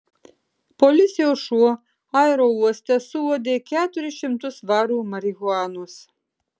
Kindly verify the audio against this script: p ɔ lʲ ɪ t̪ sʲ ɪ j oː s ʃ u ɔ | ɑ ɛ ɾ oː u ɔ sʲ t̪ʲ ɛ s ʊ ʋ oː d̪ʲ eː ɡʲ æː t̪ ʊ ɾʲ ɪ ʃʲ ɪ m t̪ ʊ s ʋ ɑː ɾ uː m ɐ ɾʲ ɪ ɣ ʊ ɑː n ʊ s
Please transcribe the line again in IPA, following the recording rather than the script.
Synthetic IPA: p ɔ lʲ ɪ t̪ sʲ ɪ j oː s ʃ u ɔ | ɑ ɛ ɾ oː u ɔ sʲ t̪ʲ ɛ s ʊ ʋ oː d̪ʲ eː kʲ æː t̪ ʊ ɾʲ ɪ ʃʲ ɪ m t̪ ʊ s ʋ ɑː ɾ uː m ɐ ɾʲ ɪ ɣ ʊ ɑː n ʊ s